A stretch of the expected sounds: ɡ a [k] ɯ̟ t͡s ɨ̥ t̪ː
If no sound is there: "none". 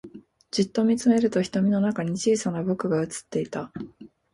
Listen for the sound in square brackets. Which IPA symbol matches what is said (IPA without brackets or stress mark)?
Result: none